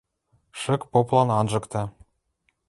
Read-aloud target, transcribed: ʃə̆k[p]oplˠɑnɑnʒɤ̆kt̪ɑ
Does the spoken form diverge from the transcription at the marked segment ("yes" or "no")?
no